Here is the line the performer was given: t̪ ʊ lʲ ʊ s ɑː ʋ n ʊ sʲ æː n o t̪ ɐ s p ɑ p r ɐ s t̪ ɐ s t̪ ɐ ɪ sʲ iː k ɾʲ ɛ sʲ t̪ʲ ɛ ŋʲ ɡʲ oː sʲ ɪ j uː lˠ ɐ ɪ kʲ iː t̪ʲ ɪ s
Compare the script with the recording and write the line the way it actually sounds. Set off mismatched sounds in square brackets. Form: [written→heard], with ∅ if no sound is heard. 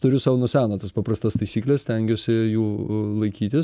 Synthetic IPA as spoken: t̪ ʊ [lʲ→ɾʲ] ʊ s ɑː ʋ n ʊ sʲ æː n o t̪ ɐ s p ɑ p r ɐ s t̪ ɐ s t̪ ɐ ɪ sʲ iː k [ɾʲ→lʲ] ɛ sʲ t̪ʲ ɛ ŋʲ ɡʲ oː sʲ ɪ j uː lˠ ɐ ɪ kʲ iː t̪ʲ ɪ s

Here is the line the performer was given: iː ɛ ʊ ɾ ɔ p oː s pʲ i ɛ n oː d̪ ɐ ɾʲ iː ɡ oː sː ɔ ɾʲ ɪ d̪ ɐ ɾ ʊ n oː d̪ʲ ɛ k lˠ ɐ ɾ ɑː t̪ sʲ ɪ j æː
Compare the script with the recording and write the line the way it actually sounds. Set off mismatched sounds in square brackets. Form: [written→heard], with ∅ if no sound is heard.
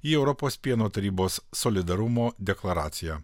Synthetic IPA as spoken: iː ɛ ʊ ɾ ɔ p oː s pʲ i ɛ n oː [d̪→t̪] ɐ ɾʲ iː [ɡ→b] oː sː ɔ [ɾʲ→lʲ] ɪ d̪ ɐ ɾ ʊ [n→m] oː d̪ʲ ɛ k lˠ ɐ ɾ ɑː t̪ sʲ ɪ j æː

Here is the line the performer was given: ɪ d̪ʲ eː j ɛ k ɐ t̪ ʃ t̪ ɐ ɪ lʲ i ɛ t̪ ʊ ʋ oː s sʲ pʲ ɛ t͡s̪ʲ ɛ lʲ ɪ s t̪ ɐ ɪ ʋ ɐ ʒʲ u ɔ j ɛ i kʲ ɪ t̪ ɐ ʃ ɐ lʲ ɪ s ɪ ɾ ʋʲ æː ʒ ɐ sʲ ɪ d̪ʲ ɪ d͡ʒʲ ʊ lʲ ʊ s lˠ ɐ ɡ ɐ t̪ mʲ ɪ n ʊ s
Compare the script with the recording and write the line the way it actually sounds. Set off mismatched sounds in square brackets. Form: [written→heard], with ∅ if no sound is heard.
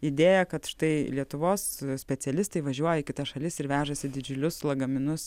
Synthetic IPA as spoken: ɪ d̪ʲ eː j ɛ k ɐ t̪ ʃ t̪ ɐ ɪ lʲ i ɛ t̪ ʊ ʋ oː s sʲ pʲ ɛ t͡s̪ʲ ɛ lʲ ɪ s t̪ ɐ ɪ ʋ ɐ ʒʲ u ɔ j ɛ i kʲ ɪ t̪ ɐ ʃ ɐ lʲ ɪ s ɪ ɾ ʋʲ æː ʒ ɐ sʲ ɪ d̪ʲ ɪ d͡ʒʲ ʊ lʲ ʊ s lˠ ɐ ɡ ɐ [t̪→∅] mʲ ɪ n ʊ s

